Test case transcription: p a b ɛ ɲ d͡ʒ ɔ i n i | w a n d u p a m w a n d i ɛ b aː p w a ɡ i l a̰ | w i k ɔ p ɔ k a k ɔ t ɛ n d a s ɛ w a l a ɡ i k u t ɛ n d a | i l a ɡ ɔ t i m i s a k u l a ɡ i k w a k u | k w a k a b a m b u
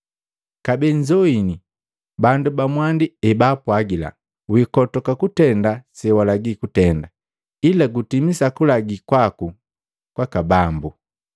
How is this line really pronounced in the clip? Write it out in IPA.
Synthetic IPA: k a b ɛ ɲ d͡ʒ ɔ i n i | b a n d u b a m w a n d i ɛ b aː p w a ɡ i l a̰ | w i k ɔ t ɔ k a k u t ɛ n d a s ɛ w a l a ɡ i k u t ɛ n d a | i l a ɡ u t i m i s a k u l a ɡ i k w a k u | k w a k a b a m b u